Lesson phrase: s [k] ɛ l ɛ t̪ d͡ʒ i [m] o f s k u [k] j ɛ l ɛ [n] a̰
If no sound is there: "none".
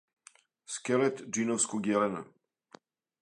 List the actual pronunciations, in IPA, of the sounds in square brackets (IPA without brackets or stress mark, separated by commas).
k, n, ɡ, n